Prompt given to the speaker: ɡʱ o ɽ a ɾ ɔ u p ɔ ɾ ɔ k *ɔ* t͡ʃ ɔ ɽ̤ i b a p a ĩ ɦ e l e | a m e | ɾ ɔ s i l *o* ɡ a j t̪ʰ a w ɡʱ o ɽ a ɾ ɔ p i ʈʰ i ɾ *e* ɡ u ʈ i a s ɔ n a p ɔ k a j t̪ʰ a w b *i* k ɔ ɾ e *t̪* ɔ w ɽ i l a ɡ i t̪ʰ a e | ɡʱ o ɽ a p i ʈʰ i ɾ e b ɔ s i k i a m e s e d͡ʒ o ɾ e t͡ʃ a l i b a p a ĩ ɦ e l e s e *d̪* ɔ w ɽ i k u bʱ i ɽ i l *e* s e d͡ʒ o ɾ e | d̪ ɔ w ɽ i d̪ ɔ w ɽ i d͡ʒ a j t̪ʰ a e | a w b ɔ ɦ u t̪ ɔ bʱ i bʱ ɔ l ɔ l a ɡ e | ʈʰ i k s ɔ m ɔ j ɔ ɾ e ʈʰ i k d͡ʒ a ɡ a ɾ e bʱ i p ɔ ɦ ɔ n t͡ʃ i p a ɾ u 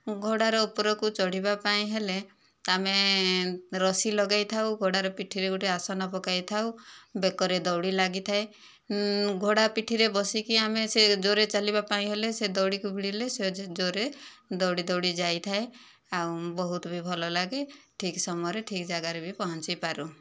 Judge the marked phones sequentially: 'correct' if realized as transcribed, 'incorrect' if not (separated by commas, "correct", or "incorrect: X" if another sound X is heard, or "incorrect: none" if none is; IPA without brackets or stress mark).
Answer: incorrect: u, incorrect: ɔ, correct, incorrect: e, incorrect: d̪, correct, correct